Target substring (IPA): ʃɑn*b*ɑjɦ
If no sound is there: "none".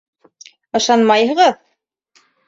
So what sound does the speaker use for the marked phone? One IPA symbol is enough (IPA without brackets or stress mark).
m